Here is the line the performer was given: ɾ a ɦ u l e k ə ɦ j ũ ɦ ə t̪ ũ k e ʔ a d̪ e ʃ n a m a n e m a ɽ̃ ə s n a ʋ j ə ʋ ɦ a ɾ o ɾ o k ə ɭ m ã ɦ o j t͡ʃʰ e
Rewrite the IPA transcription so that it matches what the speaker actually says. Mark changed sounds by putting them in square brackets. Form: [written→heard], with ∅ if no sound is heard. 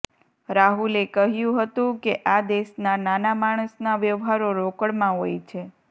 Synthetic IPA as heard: ɾ a ɦ u l e k ə ɦ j ũ ɦ ə t̪ ũ k e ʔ a d̪ e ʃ n a [m→n] a n [e→a] m a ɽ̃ ə s n a ʋ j ə ʋ ɦ a ɾ o ɾ o k ə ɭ m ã ɦ o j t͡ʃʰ e